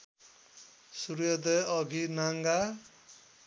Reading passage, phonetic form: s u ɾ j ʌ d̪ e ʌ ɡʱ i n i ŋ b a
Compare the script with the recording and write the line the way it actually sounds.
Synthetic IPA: s u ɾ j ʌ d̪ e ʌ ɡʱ i n a ŋ ɡ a